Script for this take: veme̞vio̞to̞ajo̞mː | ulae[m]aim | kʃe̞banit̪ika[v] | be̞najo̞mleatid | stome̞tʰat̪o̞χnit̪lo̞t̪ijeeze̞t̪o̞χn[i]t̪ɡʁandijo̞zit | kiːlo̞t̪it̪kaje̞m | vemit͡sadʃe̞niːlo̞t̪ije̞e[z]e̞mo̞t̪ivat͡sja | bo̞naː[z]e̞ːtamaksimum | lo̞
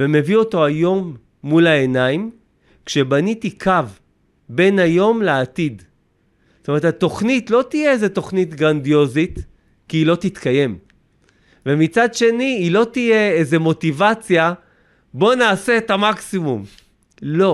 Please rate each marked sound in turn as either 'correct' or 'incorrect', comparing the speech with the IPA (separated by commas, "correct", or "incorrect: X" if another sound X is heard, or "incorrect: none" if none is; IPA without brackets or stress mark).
incorrect: n, correct, correct, correct, incorrect: s